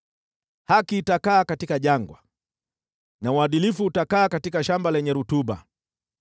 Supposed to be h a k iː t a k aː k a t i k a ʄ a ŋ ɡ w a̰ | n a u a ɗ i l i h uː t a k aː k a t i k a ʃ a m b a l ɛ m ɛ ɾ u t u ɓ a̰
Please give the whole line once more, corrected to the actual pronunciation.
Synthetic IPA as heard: h a k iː t a k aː k a t i k a ʄ a ŋ ɡ w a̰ | n a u a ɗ i l i f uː t a k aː k a t i k a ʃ a m b a l ɛ ɲ ɛ ɾ u t u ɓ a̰